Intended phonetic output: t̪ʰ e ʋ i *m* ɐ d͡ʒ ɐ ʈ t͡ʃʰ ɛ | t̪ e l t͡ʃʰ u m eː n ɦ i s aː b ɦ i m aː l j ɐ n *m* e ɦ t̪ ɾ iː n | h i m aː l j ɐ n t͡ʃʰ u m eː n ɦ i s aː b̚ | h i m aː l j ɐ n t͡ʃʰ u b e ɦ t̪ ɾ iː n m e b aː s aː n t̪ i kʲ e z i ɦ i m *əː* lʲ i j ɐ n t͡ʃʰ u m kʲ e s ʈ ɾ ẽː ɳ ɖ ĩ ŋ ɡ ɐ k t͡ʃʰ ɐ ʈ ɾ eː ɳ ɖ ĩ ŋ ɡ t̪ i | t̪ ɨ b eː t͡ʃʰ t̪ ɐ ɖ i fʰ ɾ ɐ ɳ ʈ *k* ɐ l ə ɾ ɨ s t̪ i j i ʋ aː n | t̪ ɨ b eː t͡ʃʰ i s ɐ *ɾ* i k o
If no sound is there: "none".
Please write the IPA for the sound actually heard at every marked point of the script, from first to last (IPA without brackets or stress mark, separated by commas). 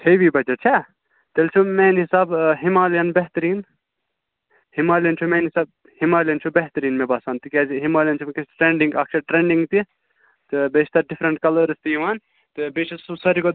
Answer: b, b, aː, k, ɾ